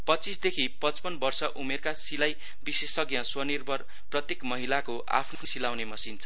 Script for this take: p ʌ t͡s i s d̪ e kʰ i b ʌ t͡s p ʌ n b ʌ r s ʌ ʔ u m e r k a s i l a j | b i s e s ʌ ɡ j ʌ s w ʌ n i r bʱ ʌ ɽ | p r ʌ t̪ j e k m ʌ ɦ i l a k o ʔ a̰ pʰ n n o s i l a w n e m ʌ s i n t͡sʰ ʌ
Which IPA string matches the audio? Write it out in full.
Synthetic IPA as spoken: p ʌ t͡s i s d̪ e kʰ i p ʌ t͡s p ʌ n b ʌ r s ʌ ʔ u m e r k a s i l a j | b i s e s ʌ ɡ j ʌ s w ʌ n i r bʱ ʌ r | p r ʌ t̪ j e k m ʌ ɦ i l a k o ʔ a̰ pʰ n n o s i l a w n e m ʌ s i n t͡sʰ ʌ